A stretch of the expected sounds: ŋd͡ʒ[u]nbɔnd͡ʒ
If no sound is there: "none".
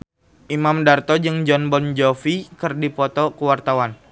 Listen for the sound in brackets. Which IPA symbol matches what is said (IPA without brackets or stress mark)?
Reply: ɔ